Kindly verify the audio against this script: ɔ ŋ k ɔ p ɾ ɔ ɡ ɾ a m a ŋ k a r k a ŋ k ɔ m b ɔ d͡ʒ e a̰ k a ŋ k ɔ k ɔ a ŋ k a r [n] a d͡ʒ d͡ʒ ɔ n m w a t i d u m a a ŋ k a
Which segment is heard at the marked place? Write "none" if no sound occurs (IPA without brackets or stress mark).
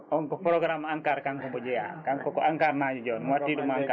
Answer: n